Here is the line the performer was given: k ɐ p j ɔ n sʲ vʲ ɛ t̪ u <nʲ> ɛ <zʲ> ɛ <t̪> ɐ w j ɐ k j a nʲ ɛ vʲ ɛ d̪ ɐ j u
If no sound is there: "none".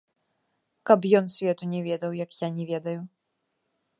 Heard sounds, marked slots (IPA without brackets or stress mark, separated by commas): nʲ, vʲ, d̪